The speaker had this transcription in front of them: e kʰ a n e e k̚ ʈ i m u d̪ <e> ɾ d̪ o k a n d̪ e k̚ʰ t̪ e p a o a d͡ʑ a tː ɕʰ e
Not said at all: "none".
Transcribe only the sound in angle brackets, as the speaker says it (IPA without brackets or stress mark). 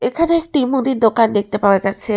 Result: i